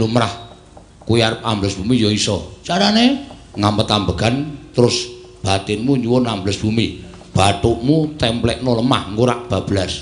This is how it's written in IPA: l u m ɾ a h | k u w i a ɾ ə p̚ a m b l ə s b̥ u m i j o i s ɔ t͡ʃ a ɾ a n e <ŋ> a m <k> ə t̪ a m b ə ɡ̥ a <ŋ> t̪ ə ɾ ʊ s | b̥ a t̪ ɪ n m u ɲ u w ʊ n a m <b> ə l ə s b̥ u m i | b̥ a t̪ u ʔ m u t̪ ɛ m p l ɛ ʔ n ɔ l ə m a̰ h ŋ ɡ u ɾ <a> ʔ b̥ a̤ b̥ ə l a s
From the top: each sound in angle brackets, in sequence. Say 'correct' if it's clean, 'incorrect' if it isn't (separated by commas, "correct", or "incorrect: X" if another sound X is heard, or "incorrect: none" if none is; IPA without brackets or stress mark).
correct, incorrect: p, incorrect: n, correct, correct